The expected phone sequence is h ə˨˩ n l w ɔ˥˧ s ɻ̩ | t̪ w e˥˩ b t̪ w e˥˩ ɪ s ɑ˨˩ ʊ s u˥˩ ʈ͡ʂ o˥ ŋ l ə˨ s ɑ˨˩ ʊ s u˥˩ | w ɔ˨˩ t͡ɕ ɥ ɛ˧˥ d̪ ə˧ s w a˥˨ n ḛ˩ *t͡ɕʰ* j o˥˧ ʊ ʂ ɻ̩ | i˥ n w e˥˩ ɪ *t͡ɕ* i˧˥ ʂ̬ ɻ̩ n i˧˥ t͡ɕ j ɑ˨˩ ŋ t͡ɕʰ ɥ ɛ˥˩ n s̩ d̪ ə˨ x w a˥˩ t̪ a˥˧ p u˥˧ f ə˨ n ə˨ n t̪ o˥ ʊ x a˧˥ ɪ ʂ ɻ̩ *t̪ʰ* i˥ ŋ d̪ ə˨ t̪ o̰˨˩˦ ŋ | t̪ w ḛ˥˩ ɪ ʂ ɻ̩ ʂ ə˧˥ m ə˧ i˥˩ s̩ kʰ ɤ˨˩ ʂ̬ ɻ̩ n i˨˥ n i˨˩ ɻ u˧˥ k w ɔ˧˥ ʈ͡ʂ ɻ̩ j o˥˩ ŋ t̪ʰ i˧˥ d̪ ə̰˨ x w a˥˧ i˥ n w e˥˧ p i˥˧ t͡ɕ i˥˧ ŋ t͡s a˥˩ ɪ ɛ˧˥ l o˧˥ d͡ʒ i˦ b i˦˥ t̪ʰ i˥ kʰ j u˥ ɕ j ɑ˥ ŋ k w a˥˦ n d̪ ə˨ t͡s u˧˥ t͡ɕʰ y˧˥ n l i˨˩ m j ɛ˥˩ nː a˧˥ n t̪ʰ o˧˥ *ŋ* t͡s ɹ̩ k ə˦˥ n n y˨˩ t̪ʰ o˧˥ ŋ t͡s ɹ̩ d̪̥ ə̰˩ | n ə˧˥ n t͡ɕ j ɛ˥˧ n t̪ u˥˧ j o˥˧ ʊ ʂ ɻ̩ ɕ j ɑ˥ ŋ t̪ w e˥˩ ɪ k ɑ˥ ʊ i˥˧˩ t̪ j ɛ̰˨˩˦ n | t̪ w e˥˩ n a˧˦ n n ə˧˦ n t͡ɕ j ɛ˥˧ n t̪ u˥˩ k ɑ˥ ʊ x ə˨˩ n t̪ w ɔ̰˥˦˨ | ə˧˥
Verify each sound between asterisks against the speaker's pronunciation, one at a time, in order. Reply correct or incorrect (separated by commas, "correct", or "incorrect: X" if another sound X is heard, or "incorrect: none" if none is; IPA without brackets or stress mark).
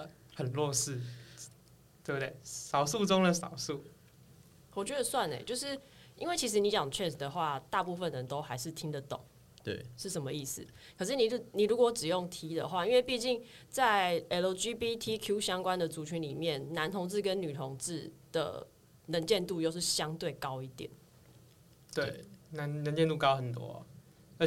incorrect: t͡ɕ, incorrect: t͡ɕʰ, correct, correct